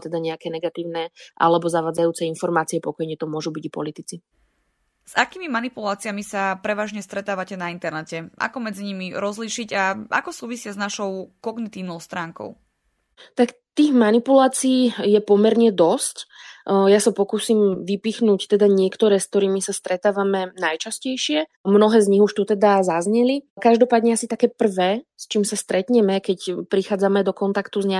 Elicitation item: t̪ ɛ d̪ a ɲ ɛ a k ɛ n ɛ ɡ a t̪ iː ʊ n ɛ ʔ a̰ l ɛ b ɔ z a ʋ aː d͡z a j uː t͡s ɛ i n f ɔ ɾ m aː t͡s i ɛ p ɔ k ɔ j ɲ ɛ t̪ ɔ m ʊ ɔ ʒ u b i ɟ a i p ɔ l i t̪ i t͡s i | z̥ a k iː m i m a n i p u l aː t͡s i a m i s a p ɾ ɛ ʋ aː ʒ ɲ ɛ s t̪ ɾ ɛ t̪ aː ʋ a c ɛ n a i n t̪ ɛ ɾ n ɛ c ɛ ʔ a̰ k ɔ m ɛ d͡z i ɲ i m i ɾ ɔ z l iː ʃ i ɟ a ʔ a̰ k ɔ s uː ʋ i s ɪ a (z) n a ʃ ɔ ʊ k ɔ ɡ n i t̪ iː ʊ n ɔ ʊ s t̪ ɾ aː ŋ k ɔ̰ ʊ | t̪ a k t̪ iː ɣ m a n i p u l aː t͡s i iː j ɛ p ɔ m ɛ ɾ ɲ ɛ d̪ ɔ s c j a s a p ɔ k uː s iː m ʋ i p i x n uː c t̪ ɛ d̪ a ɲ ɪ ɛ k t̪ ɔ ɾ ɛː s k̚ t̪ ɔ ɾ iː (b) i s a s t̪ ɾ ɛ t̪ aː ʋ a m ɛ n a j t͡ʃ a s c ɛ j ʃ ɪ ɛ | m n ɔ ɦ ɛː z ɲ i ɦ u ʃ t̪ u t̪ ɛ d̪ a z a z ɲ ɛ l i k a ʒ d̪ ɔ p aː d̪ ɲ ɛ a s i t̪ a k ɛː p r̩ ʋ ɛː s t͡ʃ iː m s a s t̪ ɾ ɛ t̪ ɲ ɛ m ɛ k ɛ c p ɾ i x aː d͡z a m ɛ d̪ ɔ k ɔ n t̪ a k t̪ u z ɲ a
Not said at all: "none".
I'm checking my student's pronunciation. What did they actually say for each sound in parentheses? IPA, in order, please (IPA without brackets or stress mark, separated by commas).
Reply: z, m